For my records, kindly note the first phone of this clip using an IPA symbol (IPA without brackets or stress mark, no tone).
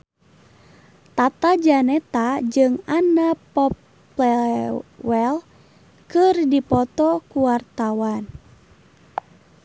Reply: t̪